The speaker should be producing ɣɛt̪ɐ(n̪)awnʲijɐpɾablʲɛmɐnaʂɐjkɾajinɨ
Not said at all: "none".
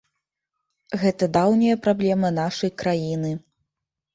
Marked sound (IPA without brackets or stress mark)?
d̪